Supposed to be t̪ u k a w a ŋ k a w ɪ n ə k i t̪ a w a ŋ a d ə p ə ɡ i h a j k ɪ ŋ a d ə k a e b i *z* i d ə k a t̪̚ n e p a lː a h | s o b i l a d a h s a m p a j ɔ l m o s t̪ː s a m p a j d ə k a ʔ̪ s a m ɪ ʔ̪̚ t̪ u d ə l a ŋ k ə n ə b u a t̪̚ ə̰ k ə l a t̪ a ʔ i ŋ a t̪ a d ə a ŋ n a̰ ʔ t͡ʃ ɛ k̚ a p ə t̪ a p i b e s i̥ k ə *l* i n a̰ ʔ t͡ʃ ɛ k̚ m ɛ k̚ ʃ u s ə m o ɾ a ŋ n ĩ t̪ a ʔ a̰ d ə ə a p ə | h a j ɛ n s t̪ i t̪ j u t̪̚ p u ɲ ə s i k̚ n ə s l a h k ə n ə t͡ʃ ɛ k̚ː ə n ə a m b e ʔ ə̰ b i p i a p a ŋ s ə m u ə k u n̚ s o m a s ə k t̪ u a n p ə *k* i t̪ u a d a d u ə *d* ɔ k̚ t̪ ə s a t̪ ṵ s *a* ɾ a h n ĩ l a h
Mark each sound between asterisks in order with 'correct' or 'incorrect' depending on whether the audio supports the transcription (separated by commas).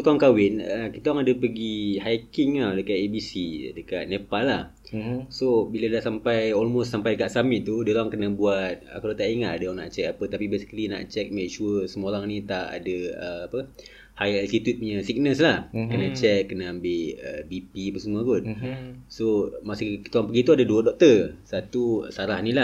incorrect, correct, incorrect, correct, correct